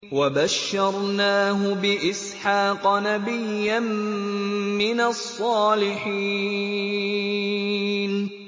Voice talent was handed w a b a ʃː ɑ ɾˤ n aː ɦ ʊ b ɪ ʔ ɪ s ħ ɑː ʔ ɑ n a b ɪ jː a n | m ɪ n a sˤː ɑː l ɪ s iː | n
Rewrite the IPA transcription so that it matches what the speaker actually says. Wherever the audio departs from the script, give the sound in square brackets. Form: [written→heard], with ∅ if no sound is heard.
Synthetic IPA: w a b a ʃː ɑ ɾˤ n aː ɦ ʊ b ɪ ʔ ɪ s ħ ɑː [ʔ→q] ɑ n a b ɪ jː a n | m ɪ n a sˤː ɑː l ɪ [s→ħ] iː | n